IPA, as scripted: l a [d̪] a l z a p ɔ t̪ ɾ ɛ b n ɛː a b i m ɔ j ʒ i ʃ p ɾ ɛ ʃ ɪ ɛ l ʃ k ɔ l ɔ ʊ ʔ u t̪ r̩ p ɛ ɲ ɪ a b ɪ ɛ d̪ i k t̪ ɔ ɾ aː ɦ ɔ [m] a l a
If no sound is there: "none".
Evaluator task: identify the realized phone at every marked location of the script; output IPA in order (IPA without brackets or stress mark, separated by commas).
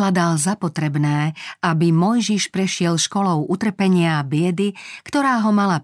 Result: d̪, m